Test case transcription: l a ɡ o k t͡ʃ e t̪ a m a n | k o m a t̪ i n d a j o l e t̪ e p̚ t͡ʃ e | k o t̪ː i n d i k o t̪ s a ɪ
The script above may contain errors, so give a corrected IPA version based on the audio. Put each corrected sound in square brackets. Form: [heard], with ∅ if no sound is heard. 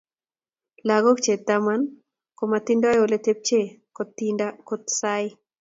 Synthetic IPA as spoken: l a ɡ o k t͡ʃ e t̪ a m a n | k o m a t̪ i n d a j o l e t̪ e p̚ t͡ʃ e | k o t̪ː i n d [a] k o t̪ s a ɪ